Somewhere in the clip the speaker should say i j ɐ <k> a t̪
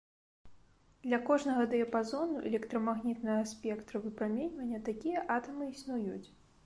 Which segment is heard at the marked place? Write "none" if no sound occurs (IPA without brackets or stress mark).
ʔ